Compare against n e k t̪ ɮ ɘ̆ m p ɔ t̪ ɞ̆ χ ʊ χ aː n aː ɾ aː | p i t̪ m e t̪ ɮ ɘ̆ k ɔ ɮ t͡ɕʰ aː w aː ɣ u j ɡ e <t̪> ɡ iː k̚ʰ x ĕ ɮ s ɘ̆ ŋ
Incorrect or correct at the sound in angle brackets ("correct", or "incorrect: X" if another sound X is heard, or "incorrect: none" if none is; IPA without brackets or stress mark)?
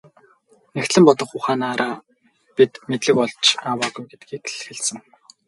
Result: correct